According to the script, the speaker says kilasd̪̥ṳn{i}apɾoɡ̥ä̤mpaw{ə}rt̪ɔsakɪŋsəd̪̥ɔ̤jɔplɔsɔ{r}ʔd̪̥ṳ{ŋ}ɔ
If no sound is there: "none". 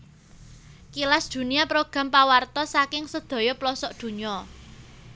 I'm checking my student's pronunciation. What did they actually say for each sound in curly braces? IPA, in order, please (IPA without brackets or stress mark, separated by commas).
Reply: i, a, none, ɲ